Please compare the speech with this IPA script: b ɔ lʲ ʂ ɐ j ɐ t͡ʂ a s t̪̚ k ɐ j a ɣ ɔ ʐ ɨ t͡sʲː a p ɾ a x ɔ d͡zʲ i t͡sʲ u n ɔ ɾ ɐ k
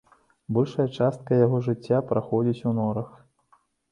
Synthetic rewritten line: b ɔ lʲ ʂ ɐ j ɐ t͡ʂ a s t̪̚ k ɐ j a ɣ ɔ ʐ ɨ t͡sʲː a p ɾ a x ɔ d͡zʲ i t͡sʲ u n ɔ ɾ ɐ x